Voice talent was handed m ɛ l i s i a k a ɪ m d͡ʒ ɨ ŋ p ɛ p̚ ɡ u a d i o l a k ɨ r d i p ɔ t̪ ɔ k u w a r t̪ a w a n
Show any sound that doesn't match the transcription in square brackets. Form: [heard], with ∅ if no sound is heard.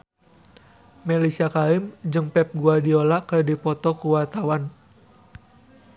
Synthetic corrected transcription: m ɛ l i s i a k a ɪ m d͡ʒ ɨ ŋ p ɛ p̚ ɡ u a d i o l a k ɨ r d i p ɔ t̪ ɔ k u w a r t̪ a w a n